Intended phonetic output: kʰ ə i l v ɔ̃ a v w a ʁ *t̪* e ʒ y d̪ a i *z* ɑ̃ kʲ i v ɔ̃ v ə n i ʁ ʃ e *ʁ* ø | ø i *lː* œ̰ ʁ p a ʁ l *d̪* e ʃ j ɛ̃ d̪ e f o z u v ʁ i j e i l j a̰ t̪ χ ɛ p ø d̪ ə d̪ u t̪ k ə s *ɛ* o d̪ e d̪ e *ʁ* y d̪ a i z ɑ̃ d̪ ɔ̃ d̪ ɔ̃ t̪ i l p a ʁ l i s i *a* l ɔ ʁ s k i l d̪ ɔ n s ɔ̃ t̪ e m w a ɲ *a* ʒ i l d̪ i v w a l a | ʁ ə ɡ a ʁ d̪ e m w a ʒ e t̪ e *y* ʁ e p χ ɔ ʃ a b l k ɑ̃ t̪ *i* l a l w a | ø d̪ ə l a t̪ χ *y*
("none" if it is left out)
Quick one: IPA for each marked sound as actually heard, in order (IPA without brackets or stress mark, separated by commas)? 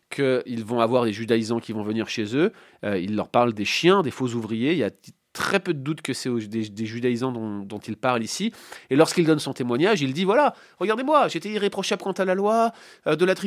d̪, z, z, lː, d̪, ɛ, ʒ, e, a, i, a, i